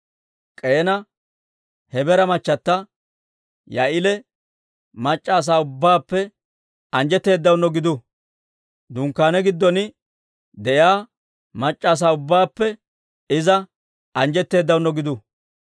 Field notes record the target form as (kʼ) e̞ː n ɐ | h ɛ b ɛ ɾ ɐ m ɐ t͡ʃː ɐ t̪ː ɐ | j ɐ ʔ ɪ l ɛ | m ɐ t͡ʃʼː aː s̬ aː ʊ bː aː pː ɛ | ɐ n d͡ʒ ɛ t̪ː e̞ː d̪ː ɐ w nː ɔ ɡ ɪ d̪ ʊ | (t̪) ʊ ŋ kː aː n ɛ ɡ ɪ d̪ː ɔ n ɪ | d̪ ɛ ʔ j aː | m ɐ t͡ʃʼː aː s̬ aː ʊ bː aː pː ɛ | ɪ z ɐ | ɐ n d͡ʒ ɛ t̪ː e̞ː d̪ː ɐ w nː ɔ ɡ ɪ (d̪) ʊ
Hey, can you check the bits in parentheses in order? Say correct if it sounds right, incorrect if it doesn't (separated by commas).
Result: correct, incorrect, correct